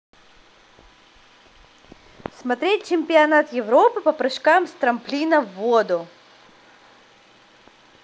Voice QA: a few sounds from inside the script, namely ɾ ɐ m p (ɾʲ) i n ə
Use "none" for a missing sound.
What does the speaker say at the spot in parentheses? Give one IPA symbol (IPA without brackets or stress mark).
lʲ